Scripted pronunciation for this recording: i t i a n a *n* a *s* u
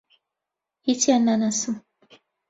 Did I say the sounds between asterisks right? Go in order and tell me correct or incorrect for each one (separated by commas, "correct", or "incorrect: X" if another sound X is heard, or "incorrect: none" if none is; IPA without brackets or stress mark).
correct, correct